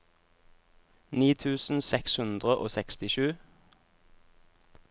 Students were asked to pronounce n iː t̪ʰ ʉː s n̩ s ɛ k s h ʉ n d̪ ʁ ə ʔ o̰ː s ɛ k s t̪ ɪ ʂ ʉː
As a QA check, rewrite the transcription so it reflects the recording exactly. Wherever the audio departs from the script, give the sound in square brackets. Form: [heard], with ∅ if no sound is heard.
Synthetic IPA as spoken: n iː t̪ʰ ʉː s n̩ s ɛ k s h ʉ n d̪ ʁ ə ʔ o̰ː s ɛ k s t̪ ɪ [ʃ] ʉː